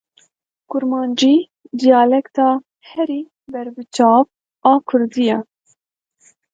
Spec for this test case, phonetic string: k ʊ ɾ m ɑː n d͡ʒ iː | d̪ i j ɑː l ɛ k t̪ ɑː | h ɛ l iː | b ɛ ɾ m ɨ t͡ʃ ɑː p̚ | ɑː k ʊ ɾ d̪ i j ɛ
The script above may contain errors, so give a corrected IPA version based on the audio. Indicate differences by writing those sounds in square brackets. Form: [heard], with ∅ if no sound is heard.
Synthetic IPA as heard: k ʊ ɾ m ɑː n d͡ʒ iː | d̪ i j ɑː l ɛ k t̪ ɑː | h ɛ [ɾ] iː | b ɛ ɾ [b] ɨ t͡ʃ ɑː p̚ | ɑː [kʰ] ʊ ɾ d̪ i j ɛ

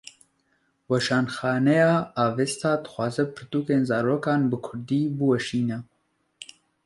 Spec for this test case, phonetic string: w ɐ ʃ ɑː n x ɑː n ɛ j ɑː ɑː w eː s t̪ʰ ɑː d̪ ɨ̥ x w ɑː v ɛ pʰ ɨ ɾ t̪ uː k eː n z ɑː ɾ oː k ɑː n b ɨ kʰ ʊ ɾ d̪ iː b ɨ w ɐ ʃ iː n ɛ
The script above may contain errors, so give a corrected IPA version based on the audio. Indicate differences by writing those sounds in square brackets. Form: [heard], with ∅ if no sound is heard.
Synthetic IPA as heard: w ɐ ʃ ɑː n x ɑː n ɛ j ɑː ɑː [v] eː s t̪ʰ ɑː d̪ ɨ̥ x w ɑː [z] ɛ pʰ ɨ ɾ t̪ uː k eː n z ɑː ɾ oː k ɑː n b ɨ kʰ ʊ ɾ d̪ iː b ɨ w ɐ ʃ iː n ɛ

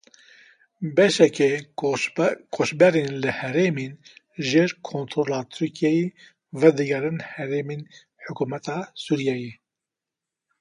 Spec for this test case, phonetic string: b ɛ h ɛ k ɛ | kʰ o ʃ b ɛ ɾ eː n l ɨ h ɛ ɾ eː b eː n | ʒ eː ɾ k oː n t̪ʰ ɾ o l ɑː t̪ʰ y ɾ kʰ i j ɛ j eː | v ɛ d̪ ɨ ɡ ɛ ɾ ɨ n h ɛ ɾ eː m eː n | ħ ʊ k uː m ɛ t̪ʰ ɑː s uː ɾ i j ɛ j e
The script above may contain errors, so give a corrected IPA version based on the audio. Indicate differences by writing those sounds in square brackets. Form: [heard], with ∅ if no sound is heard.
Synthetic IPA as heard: b ɛ [ʃ] ɛ k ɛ | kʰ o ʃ b ɛ ɾ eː n l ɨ h ɛ ɾ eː [m] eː n | ʒ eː ɾ [kʰ] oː n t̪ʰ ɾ o l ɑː t̪ʰ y ɾ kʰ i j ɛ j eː | v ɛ d̪ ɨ ɡ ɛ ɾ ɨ n h ɛ ɾ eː m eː n | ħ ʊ k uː m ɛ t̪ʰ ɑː s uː ɾ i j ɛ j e

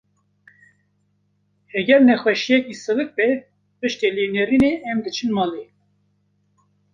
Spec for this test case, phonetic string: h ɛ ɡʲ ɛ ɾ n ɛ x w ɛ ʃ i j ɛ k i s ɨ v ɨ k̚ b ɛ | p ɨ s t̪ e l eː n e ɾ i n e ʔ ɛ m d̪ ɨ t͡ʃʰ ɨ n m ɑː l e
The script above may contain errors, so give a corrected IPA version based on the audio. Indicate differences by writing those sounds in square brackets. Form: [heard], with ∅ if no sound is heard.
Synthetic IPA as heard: h ɛ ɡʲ ɛ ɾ n ɛ x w ɛ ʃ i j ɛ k i s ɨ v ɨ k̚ b ɛ | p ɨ [ʃ] t̪ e l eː n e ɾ i n e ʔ ɛ m d̪ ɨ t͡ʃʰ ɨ n m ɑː l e

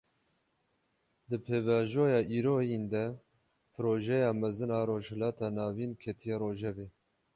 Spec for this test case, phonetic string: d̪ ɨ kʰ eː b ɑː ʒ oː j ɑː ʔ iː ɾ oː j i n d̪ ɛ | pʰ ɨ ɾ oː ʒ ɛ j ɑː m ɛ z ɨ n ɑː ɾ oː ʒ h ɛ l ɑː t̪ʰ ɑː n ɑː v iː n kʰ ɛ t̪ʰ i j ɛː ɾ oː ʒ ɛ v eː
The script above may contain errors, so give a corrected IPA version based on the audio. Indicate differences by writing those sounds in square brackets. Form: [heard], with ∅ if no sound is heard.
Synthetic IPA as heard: d̪ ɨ [pʰ] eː [v] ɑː ʒ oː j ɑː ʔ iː ɾ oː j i n d̪ ɛ | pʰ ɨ ɾ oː ʒ ɛ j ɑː m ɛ z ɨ n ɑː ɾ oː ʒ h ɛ l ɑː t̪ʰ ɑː n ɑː v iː n kʰ ɛ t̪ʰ i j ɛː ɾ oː ʒ ɛ v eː

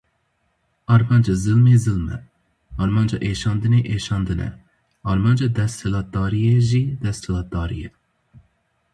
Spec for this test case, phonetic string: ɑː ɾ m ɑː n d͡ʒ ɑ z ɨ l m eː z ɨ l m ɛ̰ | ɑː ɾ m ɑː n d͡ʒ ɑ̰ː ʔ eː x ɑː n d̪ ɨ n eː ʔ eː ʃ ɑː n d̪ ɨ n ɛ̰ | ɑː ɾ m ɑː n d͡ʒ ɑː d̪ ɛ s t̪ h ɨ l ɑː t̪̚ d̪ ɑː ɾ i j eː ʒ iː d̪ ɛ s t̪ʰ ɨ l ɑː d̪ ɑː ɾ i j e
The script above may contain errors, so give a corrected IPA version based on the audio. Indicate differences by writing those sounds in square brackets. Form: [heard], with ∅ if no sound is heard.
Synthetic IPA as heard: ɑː ɾ m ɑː n d͡ʒ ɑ z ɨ l m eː z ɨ l m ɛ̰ | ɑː ɾ m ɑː n d͡ʒ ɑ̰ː ʔ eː [ʃ] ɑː n d̪ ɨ n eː ʔ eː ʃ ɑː n d̪ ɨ n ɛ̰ | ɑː ɾ m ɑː n d͡ʒ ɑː d̪ ɛ s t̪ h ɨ l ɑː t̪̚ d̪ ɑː ɾ i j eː ʒ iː d̪ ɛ s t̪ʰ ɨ l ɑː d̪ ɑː ɾ i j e

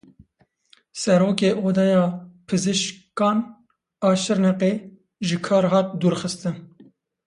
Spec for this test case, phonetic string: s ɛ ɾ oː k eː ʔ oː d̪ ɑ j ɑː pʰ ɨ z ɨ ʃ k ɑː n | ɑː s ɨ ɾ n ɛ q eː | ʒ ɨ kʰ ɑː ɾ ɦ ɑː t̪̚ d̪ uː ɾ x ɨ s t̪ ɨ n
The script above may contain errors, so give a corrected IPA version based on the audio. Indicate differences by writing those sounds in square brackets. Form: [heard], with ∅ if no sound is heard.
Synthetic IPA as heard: s ɛ ɾ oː k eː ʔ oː d̪ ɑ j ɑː pʰ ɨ z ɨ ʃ k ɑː n | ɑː [ʃ] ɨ ɾ n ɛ q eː | ʒ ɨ kʰ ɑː ɾ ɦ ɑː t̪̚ d̪ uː ɾ x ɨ s t̪ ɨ n

